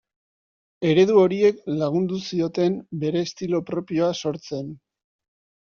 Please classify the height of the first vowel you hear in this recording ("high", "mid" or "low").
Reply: mid